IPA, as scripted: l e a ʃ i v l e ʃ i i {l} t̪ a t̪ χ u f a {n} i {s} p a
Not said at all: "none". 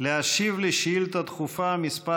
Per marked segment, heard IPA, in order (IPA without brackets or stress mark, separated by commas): l, m, s